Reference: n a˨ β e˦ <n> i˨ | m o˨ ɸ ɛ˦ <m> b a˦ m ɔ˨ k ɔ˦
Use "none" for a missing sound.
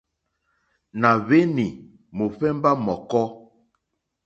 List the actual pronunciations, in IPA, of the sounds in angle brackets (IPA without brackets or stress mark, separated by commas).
n, m